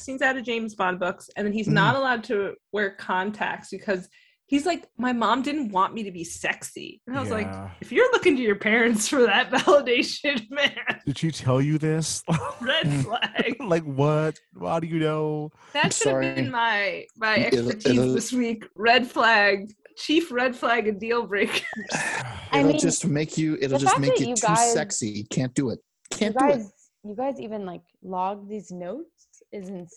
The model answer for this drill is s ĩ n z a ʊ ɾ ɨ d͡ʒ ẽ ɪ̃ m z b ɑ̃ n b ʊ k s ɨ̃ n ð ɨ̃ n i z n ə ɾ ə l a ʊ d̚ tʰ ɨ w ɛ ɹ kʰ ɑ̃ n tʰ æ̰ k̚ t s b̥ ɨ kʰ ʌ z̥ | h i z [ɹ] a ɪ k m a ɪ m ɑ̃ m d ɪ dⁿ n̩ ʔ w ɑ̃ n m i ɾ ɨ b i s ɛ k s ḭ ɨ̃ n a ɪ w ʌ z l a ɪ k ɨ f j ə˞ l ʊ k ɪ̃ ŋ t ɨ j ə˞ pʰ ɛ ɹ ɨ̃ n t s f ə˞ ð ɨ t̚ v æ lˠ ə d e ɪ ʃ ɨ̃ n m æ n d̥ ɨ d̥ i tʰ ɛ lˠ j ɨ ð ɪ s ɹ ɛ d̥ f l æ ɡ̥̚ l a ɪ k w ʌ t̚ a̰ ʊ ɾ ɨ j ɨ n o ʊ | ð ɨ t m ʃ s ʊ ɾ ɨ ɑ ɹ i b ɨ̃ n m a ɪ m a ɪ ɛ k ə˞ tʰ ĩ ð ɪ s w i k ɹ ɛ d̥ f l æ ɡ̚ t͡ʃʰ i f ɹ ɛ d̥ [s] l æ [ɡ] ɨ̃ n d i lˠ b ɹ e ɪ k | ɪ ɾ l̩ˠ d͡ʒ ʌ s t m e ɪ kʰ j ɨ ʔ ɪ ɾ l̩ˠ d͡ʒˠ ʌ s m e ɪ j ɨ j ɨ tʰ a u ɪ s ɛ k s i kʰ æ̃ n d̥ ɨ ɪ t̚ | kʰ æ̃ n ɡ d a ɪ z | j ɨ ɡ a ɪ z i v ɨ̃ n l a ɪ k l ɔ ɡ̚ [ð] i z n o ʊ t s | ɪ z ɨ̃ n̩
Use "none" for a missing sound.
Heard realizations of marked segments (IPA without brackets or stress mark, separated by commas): l, f, ɡ, ð